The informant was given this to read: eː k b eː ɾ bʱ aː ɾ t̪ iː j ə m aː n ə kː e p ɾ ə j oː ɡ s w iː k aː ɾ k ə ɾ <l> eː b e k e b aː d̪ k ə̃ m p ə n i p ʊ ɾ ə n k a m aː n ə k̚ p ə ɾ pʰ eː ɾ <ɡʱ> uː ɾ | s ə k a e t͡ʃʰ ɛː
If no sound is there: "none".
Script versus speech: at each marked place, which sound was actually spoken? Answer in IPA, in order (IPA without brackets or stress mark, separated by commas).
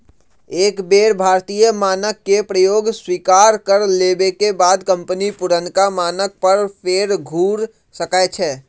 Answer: l, ɡʱ